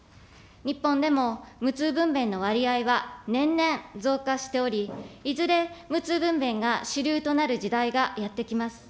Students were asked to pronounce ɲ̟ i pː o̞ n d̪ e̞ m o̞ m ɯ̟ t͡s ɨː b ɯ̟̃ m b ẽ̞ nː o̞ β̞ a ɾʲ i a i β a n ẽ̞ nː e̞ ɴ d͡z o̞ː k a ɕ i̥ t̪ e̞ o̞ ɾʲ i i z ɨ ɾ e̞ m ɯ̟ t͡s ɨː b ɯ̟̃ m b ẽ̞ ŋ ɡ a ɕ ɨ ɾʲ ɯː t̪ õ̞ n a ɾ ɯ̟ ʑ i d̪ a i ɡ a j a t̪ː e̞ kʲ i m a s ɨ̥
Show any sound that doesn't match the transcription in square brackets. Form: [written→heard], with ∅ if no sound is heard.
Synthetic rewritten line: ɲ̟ i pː [o̞→õ̞] n d̪ e̞ m o̞ m ɯ̟ t͡s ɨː b ɯ̟̃ m b ẽ̞ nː o̞ β̞ a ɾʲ i a i β a n ẽ̞ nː [e̞→ẽ̞] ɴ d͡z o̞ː k a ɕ i̥ t̪ e̞ o̞ ɾʲ i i z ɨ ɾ e̞ m ɯ̟ t͡s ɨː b ɯ̟̃ m b ẽ̞ ŋ ɡ a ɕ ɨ ɾʲ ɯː t̪ [õ̞→o̞] n a ɾ ɯ̟ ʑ i d̪ a i ɡ a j a t̪ː e̞ kʲ i m a s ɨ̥